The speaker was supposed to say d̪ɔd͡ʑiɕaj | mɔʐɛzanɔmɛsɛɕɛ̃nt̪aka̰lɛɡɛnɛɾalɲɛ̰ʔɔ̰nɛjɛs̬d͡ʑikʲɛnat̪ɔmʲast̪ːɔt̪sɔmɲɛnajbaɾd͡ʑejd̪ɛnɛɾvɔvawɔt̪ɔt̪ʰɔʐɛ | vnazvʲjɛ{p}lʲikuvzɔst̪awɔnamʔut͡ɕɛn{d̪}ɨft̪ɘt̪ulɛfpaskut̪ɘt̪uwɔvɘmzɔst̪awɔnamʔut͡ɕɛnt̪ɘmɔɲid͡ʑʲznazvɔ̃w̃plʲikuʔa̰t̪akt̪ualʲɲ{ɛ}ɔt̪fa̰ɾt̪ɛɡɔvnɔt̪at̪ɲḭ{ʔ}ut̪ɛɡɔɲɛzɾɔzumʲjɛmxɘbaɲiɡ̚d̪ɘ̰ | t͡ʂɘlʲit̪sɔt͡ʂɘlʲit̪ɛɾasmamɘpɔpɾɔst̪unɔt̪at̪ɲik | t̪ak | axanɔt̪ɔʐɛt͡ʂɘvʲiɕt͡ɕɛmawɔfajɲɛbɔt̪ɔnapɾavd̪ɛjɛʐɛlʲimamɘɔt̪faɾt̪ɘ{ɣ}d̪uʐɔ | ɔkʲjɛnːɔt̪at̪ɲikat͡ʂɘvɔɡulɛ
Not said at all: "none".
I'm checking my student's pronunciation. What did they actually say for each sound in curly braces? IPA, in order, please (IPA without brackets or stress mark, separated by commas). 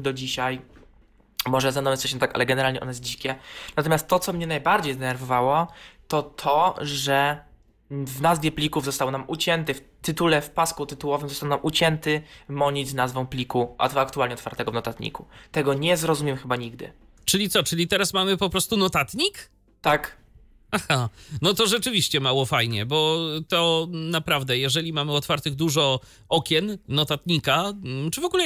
p, t̪, ɛ, k, ɣ